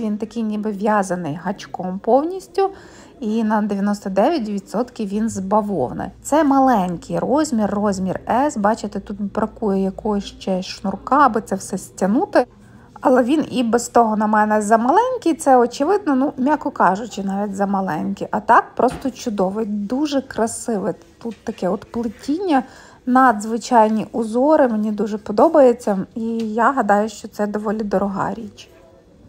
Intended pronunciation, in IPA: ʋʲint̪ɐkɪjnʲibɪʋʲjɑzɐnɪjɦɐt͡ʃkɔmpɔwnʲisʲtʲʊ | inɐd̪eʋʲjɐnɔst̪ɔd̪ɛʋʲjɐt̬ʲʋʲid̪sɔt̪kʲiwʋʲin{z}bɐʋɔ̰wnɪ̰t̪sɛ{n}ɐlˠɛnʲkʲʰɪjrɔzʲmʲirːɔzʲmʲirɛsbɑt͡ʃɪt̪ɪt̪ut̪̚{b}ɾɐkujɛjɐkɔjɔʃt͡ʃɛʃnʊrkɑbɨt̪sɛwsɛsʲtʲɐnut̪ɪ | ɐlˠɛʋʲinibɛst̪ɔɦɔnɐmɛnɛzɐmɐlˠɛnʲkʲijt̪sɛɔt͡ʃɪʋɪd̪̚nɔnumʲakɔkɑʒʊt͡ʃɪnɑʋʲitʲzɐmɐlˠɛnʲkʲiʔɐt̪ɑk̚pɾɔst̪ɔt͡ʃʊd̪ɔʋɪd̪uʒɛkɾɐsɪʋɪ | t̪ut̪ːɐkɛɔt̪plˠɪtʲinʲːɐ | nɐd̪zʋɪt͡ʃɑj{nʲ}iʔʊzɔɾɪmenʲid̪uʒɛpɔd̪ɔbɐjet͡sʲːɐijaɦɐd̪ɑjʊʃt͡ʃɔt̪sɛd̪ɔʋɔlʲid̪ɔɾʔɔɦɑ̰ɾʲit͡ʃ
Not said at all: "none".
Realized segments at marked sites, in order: z, m, b, nʲ

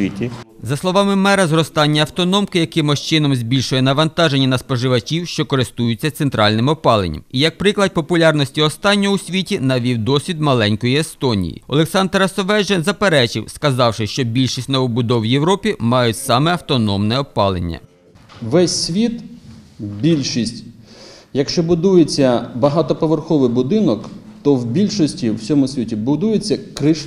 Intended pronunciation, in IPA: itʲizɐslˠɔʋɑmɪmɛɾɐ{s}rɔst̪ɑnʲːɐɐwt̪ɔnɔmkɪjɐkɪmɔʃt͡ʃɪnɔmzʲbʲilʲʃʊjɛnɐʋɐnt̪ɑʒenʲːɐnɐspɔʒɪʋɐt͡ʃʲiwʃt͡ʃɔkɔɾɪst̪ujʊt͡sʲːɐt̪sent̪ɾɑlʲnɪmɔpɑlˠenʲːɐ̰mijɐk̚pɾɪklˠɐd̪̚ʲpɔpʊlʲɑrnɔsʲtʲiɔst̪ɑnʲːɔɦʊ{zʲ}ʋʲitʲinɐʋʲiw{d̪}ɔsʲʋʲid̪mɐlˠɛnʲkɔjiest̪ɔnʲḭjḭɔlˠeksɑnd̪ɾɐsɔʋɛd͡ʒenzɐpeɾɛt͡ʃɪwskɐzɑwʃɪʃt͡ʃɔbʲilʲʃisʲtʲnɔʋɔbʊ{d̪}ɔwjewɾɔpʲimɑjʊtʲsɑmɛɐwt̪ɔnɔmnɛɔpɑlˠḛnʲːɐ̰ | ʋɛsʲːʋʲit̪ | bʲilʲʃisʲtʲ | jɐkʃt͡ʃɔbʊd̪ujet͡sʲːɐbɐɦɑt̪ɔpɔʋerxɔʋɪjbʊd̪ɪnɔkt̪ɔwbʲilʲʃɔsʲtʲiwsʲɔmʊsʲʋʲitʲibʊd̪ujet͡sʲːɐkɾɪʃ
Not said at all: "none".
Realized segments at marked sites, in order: z, sʲ, d̪, d̪

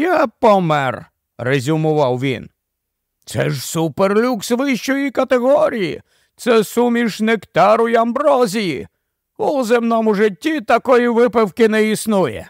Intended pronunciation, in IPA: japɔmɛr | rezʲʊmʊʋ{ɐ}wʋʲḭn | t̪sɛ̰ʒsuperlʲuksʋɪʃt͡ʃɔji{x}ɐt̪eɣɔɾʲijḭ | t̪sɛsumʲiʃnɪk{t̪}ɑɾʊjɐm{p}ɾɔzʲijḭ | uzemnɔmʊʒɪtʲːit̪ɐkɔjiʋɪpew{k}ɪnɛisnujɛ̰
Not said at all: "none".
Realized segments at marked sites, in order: ɑ, k, t̪, b, k

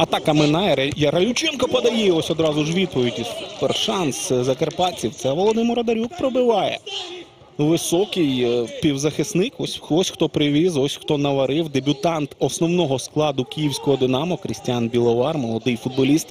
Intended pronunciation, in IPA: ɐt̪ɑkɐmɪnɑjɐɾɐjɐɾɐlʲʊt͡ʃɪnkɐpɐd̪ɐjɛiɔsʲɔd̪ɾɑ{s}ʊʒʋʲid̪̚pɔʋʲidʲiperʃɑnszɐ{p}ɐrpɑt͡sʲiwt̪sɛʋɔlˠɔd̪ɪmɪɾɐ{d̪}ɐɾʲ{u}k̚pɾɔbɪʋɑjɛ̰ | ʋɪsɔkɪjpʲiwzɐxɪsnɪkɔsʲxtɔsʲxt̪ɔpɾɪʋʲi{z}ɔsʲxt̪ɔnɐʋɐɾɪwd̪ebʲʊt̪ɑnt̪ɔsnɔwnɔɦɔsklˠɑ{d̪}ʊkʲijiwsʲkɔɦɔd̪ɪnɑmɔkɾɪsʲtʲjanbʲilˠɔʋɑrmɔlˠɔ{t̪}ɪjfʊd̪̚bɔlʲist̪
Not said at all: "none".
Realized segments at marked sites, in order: z, k, d̪, u, z, d̪, d̪

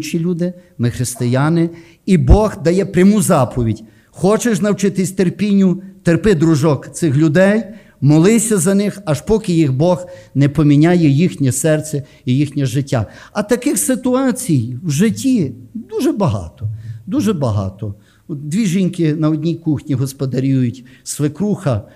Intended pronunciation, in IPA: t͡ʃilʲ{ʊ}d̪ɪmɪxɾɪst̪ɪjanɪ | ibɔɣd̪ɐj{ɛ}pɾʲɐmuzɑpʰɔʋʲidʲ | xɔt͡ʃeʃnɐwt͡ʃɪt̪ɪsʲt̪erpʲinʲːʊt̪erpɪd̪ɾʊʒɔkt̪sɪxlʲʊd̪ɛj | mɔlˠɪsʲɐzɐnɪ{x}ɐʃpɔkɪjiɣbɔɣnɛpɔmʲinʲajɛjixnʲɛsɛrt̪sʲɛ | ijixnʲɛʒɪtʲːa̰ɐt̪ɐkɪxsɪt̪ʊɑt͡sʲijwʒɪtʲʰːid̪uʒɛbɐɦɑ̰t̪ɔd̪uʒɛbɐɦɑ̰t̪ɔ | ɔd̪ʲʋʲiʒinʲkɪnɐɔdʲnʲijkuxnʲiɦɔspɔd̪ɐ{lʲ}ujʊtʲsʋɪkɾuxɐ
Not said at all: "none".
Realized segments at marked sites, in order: u, ɛ, x, ɾʲ

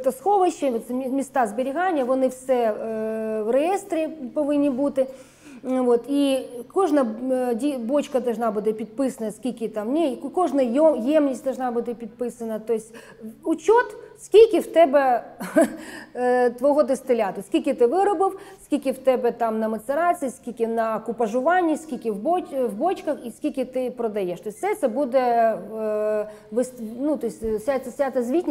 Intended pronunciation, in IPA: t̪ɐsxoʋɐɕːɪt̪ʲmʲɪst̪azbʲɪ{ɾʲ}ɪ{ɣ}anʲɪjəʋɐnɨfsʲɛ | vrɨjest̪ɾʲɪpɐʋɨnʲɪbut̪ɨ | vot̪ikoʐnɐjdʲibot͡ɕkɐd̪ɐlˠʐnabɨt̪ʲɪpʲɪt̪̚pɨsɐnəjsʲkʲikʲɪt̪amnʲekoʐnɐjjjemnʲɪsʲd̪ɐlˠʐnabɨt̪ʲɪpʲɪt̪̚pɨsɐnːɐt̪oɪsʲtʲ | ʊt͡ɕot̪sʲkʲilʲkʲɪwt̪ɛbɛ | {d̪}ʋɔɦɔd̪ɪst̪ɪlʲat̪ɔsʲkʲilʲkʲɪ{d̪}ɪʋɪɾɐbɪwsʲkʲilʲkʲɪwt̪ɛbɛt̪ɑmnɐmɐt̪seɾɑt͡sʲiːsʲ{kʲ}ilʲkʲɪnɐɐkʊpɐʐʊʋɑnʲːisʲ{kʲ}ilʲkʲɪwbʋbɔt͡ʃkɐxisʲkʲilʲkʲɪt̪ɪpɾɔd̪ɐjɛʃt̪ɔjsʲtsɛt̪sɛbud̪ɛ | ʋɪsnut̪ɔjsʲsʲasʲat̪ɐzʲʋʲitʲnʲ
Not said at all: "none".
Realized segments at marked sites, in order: ɾʲ, ɣ, t̪, t̪, kʲ, kʲ

